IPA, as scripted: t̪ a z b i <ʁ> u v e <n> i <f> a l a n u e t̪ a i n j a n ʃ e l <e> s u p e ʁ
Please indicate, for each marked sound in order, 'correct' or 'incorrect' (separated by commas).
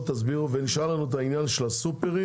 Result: correct, correct, incorrect, incorrect